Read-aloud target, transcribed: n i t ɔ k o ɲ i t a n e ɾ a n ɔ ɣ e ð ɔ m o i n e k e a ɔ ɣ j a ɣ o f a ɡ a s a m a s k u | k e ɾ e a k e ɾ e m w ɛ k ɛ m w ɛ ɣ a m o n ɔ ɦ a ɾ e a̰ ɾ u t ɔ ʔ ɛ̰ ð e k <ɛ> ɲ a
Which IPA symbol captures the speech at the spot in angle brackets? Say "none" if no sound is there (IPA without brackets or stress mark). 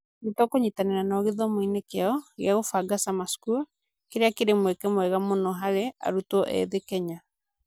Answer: ɛ